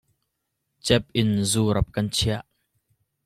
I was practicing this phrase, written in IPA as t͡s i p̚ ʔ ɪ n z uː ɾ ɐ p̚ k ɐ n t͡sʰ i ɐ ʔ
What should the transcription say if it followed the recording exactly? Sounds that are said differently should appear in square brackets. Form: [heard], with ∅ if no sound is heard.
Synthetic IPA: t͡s [ɛ] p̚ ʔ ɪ n z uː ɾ ɐ p̚ k ɐ n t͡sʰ i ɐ ʔ